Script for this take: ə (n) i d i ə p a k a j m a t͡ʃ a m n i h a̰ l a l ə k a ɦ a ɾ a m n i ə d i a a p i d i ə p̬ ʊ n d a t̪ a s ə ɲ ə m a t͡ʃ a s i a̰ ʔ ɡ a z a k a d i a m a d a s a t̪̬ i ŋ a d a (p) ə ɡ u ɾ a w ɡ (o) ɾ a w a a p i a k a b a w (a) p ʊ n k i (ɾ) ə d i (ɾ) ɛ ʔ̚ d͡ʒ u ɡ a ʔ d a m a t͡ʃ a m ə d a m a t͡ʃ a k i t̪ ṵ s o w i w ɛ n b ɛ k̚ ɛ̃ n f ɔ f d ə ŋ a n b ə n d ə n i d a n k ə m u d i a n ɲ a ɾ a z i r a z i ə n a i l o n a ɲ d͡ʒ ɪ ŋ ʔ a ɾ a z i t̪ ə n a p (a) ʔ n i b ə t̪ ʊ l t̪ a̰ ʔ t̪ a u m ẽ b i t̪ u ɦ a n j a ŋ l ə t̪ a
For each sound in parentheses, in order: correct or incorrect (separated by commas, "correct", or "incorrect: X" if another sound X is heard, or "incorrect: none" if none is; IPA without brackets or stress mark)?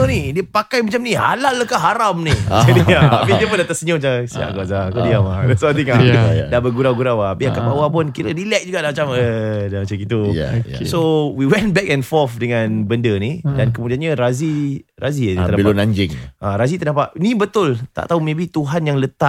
correct, incorrect: b, incorrect: u, correct, correct, incorrect: l, correct